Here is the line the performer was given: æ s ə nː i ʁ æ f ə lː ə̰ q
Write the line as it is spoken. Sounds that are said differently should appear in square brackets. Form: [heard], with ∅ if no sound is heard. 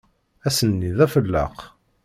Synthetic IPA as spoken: æ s ə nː i [ð] æ f ə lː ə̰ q